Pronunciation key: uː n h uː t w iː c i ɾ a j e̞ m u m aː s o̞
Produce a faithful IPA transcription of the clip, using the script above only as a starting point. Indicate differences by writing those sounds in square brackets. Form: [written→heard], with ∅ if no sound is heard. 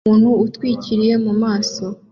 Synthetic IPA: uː n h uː t w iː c i ɾ [a→i] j e̞ m u m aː s o̞